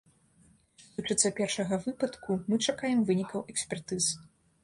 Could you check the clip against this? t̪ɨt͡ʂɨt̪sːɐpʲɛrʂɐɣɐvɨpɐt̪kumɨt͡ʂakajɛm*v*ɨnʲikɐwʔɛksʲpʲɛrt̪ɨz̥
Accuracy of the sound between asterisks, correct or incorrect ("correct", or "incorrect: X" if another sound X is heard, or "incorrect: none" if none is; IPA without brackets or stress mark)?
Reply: correct